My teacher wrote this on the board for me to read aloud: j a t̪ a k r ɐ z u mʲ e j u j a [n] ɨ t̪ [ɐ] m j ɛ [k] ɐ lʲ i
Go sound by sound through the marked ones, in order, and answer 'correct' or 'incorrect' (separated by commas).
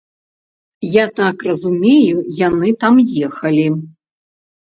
correct, incorrect, incorrect